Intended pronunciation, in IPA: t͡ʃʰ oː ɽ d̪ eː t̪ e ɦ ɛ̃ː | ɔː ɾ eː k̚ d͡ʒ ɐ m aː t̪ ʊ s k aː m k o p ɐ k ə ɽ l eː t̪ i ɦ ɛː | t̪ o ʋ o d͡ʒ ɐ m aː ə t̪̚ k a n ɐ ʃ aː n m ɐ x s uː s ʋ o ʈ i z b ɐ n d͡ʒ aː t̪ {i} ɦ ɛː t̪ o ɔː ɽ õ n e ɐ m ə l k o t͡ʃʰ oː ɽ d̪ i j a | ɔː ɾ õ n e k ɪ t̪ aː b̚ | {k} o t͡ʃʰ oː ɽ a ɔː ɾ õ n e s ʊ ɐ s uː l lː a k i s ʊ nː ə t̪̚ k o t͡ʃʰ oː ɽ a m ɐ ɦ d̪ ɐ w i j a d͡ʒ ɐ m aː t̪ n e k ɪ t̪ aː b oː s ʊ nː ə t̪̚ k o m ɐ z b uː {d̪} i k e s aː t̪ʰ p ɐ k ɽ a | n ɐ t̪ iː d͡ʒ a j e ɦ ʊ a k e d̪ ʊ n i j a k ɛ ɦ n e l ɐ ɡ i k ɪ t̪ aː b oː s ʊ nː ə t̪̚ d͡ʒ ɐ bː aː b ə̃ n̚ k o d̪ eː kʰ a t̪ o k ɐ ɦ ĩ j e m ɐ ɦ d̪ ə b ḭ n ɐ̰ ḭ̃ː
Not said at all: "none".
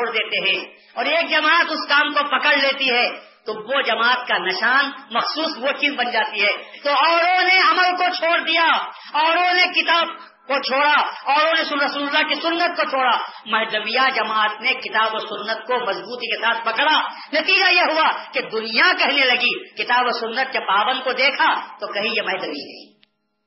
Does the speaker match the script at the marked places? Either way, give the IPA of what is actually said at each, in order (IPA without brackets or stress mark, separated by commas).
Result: i, k, t̪